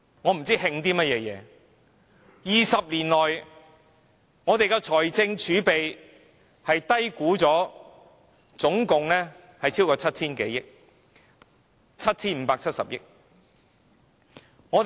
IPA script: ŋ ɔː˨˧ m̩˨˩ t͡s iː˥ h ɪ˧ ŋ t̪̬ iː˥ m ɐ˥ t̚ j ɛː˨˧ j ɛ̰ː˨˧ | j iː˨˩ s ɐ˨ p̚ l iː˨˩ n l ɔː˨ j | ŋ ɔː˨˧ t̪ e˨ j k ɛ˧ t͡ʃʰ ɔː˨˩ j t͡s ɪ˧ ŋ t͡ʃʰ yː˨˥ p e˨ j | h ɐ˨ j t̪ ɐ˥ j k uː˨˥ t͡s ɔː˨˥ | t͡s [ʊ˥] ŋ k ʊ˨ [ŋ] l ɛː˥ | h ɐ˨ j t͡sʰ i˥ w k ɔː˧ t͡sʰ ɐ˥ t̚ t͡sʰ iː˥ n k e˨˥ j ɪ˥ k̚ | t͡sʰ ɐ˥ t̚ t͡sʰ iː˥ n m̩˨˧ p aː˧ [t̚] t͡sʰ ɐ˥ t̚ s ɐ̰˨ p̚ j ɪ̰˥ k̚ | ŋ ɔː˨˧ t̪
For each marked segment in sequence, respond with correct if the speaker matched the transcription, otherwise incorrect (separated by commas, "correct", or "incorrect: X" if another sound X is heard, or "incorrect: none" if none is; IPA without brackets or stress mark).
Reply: incorrect: ʊ˨˥, correct, incorrect: k̚